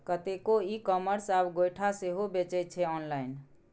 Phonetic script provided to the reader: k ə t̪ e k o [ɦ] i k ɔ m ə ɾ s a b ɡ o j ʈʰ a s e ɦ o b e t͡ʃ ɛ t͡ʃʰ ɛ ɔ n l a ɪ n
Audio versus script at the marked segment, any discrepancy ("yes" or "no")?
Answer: yes